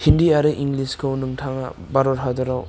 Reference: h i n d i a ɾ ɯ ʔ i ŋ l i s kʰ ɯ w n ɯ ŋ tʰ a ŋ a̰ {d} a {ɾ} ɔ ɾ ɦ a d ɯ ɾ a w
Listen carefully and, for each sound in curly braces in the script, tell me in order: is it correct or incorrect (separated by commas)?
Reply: incorrect, correct